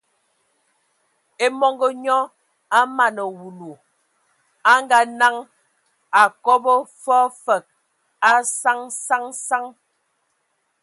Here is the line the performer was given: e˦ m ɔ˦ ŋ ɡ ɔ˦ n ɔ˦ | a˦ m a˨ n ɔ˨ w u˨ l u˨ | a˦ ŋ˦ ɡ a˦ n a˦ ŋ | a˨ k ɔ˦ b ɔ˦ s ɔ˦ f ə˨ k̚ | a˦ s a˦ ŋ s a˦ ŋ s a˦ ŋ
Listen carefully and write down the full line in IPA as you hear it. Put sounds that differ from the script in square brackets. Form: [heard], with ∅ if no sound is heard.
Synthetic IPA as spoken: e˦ m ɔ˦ ŋ ɡ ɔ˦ [ɲ] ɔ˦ | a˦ m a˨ n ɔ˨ w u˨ l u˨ | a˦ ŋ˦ ɡ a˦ n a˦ ŋ | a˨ k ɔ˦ b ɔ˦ [f] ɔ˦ f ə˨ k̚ | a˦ s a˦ ŋ s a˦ ŋ s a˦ ŋ